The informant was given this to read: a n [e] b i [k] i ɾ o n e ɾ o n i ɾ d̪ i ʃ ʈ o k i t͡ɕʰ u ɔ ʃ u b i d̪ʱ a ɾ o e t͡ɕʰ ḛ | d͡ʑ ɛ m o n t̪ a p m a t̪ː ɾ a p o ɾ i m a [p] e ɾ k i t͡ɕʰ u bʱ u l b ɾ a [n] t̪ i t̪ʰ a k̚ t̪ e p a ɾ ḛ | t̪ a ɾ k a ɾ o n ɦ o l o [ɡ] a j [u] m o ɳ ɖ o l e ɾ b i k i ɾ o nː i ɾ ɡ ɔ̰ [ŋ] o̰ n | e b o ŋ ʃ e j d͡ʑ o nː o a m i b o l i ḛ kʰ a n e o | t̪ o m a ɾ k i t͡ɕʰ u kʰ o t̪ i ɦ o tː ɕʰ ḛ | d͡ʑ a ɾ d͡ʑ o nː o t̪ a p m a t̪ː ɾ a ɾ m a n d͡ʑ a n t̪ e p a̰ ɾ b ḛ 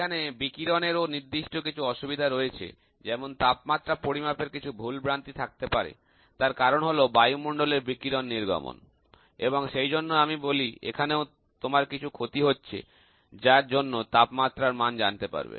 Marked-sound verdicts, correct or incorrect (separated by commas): correct, correct, correct, correct, incorrect, correct, incorrect